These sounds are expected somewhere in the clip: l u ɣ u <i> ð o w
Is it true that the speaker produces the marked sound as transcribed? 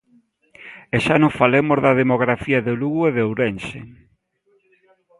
no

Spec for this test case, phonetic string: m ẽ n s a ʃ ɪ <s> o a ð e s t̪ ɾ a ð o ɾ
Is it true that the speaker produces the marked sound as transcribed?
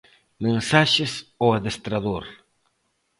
yes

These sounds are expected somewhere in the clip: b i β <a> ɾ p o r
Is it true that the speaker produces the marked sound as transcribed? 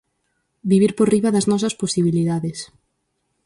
no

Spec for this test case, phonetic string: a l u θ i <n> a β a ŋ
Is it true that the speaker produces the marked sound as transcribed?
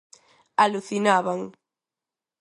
yes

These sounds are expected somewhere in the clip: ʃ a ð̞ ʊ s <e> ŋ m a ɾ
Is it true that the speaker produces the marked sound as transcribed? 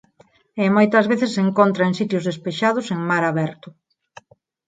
yes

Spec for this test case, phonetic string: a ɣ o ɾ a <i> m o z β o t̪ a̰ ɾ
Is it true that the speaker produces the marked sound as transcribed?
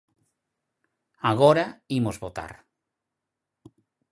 yes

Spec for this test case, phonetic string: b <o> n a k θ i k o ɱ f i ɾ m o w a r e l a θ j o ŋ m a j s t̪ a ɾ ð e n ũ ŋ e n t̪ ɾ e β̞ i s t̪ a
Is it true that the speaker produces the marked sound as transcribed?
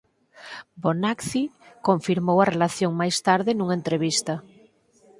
yes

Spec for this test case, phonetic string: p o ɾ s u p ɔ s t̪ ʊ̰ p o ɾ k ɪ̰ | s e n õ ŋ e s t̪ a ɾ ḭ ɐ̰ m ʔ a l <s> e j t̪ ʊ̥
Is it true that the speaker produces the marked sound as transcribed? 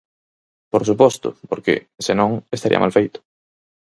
no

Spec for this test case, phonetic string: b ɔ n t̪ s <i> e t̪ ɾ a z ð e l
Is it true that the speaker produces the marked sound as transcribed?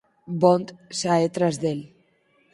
no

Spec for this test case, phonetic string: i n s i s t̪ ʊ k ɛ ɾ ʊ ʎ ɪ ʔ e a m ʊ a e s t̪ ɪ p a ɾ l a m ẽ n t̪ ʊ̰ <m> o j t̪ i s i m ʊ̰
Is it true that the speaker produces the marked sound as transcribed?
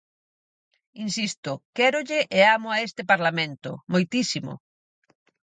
yes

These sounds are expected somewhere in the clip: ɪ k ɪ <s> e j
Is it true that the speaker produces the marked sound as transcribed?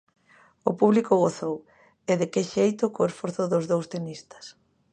no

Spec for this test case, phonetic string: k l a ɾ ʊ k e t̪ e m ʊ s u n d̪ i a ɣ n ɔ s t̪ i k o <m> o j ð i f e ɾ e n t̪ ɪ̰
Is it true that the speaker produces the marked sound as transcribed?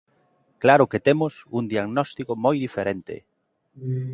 yes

